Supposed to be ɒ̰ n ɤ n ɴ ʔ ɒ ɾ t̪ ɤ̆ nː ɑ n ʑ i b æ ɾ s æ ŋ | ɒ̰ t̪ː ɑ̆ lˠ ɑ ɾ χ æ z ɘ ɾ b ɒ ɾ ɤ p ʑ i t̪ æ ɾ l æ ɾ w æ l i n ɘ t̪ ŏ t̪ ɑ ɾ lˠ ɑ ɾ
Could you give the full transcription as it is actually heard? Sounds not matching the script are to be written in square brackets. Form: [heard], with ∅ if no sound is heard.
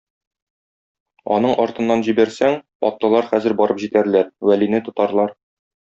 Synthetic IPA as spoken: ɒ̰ n ɤ [∅] ɴ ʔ ɒ ɾ t̪ ɤ̆ nː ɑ n ʑ i b æ ɾ s æ ŋ | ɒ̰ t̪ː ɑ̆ lˠ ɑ ɾ χ æ z ɘ ɾ b ɒ ɾ ɤ p ʑ i t̪ æ ɾ l æ ɾ w æ l i n ɘ t̪ ŏ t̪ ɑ ɾ lˠ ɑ ɾ